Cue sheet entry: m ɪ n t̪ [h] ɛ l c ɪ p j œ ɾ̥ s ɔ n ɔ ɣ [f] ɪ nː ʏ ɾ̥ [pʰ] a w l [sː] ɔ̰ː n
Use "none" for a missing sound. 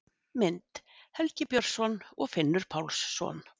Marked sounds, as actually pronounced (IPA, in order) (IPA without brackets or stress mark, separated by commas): h, f, pʰ, sː